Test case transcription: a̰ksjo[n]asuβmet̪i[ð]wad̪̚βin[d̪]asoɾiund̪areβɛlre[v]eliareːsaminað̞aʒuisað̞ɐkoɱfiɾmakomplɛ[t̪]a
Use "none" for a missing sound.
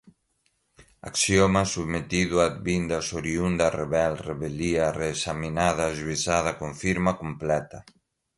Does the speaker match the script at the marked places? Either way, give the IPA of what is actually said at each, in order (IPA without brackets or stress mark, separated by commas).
m, ð, d̪, β, t̪